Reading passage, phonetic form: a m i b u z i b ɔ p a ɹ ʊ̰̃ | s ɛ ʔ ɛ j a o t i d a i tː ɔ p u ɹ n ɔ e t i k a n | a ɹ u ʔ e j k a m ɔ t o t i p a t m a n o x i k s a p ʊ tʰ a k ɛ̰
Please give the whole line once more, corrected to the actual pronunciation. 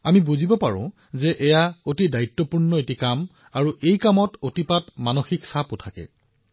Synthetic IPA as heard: a m i b u z i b ɔ p a ɹ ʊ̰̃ | z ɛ ʔ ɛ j a o t i d a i tː ɔ p u ɹ n ɔ e t i k a m | a ɹ u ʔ e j k a m ɔ t o t i p a t m a n o x i k s a p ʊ tʰ a k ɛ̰